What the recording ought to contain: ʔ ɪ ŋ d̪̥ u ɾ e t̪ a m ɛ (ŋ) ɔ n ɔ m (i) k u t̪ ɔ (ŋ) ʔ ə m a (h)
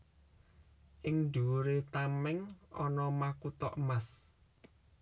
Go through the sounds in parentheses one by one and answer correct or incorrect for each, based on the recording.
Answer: correct, incorrect: a, incorrect: none, incorrect: s

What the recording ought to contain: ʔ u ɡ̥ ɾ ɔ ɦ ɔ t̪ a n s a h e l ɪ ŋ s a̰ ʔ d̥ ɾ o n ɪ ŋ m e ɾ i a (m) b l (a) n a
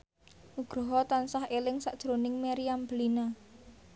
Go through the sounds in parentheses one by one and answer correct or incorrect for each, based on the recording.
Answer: correct, incorrect: i

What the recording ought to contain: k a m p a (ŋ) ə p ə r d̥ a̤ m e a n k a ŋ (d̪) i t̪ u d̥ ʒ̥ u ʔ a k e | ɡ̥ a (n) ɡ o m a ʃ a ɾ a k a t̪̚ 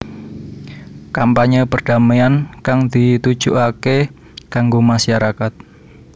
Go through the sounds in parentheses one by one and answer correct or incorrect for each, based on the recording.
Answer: incorrect: ɲ, correct, incorrect: ŋ

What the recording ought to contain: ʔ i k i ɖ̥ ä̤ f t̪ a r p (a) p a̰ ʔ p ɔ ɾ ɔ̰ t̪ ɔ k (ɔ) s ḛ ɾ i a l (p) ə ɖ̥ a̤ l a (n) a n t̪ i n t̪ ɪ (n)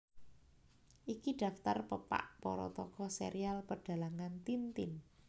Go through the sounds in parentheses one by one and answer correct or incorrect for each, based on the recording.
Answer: incorrect: ə, correct, correct, incorrect: ŋ, correct

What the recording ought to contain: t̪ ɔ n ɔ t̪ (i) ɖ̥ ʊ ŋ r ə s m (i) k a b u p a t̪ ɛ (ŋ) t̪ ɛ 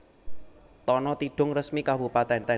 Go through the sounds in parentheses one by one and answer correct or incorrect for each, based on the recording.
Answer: correct, correct, incorrect: n

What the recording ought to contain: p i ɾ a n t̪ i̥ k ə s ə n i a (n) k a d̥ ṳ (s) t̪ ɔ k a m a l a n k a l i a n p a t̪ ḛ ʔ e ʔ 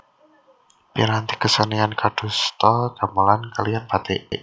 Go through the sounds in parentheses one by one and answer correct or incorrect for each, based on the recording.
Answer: correct, correct

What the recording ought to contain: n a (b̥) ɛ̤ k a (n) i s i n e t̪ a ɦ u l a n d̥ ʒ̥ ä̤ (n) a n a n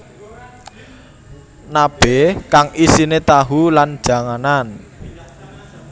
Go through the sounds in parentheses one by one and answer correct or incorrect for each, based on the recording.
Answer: correct, incorrect: ŋ, incorrect: ŋ

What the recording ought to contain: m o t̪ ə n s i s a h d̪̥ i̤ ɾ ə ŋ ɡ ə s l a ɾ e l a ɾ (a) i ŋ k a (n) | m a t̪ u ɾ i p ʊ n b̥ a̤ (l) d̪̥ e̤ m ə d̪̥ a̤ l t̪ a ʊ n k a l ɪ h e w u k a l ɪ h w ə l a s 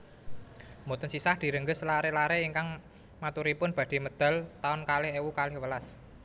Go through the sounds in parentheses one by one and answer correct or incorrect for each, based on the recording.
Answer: incorrect: e, incorrect: ŋ, incorrect: none

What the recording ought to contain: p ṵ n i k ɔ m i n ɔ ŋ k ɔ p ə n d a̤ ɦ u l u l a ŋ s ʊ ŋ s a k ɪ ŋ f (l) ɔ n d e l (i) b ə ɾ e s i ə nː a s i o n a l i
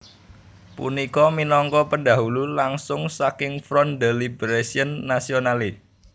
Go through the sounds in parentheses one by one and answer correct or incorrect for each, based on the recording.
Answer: incorrect: ɾ, correct

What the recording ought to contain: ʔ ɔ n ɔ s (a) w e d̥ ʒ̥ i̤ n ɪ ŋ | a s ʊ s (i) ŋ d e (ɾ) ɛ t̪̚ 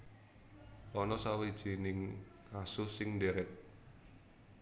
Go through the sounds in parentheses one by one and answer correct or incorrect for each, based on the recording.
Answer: correct, incorrect: ɪ, correct

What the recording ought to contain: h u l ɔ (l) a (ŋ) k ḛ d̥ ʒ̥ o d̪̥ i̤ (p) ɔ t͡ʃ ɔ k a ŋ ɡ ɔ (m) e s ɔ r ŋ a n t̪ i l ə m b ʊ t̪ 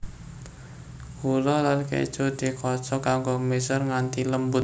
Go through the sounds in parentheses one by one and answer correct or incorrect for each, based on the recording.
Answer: correct, incorrect: n, incorrect: k, correct

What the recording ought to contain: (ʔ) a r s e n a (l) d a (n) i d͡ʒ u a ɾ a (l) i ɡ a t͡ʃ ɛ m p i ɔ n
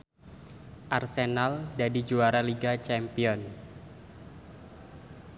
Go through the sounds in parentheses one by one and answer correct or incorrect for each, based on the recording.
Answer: correct, correct, incorrect: d, correct

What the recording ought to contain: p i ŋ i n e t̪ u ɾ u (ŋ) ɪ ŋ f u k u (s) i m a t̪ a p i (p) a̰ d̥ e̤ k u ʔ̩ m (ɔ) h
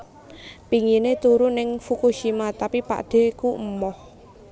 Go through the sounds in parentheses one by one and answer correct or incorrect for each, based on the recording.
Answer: incorrect: n, incorrect: ʃ, correct, correct

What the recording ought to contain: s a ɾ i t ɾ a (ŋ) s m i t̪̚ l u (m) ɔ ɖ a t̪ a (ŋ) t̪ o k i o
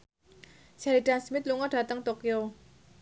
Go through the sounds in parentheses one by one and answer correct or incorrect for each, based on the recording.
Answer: incorrect: n, incorrect: ŋ, correct

